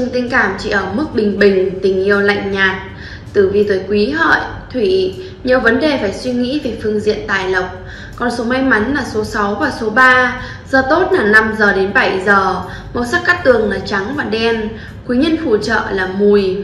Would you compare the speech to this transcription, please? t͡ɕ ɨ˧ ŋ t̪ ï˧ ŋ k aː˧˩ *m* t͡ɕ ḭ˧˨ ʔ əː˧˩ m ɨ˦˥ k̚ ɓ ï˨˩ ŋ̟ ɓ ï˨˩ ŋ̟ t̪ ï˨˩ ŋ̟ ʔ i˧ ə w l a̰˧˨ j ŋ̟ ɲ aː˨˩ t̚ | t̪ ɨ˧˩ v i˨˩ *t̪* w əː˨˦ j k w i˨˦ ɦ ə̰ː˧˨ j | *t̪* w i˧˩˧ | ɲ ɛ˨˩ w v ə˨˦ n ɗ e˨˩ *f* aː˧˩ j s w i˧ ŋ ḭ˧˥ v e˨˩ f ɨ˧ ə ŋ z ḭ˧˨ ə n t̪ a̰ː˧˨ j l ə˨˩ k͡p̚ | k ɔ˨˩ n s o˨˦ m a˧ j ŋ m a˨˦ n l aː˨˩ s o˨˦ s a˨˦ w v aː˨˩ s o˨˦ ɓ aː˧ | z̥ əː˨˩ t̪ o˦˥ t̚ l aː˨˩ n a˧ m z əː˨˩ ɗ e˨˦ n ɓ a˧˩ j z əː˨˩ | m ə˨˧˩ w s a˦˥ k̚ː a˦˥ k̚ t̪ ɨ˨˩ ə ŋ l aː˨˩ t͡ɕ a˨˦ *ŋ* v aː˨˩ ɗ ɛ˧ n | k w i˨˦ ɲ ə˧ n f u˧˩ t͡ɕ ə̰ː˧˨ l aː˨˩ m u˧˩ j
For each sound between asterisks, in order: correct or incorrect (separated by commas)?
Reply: correct, correct, incorrect, correct, correct